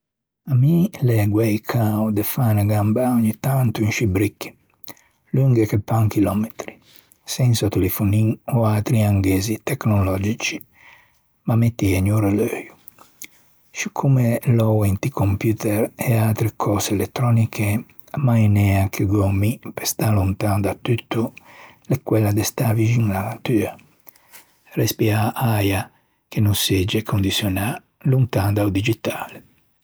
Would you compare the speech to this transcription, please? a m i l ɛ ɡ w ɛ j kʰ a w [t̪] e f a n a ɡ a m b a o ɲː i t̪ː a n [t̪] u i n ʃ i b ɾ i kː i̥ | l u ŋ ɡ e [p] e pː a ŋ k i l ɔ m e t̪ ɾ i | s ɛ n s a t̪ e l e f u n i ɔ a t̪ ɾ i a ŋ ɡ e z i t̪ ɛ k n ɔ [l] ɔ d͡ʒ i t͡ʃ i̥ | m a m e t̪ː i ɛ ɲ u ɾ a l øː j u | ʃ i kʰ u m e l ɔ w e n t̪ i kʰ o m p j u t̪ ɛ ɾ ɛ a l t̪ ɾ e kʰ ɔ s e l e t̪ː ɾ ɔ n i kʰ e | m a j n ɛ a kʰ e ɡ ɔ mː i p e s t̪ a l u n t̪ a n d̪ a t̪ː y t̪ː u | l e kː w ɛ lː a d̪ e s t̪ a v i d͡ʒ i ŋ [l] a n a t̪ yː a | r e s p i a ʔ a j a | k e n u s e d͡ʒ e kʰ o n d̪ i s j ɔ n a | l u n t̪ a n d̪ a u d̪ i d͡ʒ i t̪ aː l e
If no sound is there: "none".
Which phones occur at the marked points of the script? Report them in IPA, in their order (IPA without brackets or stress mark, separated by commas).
d̪, t̪, k, l, l